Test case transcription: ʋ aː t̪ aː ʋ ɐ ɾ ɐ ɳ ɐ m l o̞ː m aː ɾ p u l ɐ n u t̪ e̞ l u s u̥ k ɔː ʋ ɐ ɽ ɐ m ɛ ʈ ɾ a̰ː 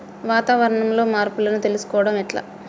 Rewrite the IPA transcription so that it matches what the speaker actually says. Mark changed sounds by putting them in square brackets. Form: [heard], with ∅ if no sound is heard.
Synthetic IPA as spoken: ʋ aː t̪ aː ʋ ɐ ɾ ɐ ɳ ɐ m l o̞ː m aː ɾ p u l ɐ n u t̪ e̞ l u s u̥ k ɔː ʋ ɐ ɽ ɐ m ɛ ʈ [l] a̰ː